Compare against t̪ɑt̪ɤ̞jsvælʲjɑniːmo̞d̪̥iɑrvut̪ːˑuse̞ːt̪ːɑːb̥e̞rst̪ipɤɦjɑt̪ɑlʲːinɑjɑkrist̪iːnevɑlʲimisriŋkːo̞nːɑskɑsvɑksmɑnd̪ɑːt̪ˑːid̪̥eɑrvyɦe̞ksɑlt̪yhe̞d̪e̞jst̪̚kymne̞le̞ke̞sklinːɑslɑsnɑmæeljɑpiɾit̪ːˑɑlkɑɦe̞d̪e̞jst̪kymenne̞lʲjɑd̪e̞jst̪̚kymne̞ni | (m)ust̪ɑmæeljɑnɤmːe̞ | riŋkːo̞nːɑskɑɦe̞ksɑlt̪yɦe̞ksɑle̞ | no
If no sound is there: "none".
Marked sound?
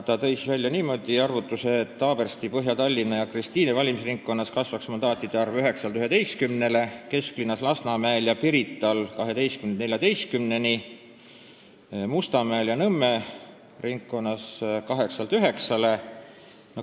m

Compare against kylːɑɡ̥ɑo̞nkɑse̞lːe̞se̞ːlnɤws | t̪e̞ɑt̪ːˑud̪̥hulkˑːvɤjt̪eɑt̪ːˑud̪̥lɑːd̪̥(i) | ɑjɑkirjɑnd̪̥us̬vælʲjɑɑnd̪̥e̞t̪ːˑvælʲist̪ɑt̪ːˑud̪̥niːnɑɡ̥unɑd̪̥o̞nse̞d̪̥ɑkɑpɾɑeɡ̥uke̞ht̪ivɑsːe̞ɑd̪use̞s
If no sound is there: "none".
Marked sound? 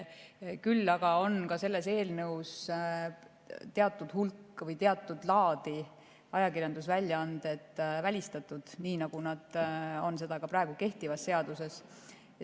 i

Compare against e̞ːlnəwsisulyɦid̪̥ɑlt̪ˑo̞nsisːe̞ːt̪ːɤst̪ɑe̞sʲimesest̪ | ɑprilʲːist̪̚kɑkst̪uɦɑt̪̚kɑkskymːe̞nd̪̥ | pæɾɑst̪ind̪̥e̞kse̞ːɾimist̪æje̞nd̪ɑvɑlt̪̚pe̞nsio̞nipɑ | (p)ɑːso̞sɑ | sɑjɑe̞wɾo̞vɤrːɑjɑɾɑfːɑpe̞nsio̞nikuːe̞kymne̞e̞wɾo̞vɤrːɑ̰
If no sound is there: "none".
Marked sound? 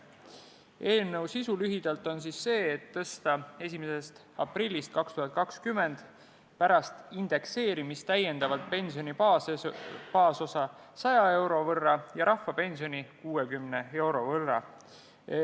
p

